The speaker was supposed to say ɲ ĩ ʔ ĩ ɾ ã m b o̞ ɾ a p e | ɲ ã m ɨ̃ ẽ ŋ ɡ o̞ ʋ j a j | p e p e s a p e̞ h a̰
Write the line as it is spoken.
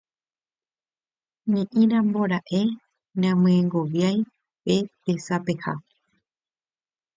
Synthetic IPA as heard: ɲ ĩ ʔ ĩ ɾ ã m b o̞ ɾ a ʔ e | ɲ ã m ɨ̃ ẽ ŋ ɡ o̞ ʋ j a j | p e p e s a p e̞ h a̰